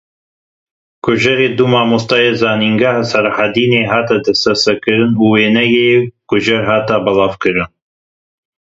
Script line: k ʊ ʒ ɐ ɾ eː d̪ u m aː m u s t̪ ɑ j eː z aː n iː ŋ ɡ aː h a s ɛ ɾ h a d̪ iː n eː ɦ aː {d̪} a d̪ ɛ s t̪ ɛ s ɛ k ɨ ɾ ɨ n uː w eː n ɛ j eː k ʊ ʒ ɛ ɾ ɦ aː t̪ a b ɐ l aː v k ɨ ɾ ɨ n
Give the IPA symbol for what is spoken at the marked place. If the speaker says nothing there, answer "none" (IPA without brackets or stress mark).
t̪